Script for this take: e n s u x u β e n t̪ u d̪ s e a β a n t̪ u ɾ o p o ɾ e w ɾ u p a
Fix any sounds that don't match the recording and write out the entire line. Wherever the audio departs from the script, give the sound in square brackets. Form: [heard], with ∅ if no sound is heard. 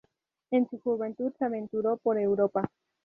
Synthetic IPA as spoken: e n s u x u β e n t̪ u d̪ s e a β [e] n t̪ u ɾ o p o ɾ e w ɾ [o] p a